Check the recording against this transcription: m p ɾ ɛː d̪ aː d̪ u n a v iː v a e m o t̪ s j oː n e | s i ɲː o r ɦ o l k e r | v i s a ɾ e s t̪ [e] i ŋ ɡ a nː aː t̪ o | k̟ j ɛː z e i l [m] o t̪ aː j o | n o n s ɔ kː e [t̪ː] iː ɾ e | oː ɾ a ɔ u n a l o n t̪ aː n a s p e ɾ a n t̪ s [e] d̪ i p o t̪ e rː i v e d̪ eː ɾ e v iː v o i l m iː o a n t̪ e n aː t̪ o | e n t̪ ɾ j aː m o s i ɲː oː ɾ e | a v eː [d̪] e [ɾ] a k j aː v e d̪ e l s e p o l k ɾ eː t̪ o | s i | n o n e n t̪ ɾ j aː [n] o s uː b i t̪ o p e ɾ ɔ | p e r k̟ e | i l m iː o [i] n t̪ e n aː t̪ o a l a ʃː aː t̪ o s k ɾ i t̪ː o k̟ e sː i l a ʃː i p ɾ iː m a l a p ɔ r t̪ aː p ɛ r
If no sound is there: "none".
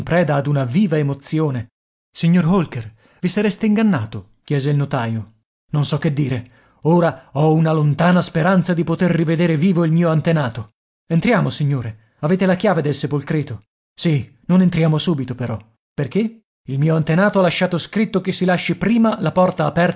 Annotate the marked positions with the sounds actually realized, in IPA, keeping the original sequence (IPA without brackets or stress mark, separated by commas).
e, n, d̪ː, a, t̪, l, m, a